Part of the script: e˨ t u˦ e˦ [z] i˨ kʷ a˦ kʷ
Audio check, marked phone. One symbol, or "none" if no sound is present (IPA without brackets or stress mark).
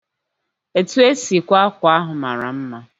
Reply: s